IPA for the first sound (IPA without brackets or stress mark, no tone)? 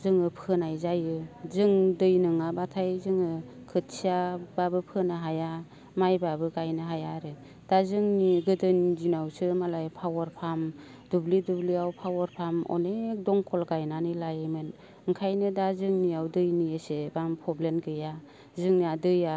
z